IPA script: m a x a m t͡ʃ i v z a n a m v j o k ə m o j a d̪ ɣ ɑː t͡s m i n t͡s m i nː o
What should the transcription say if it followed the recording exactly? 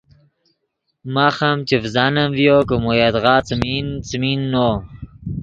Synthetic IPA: m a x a m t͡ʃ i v z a n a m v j o k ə m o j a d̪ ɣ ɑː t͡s m i n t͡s m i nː o